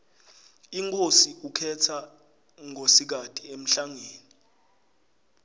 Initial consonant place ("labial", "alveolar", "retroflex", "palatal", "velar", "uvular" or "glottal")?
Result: velar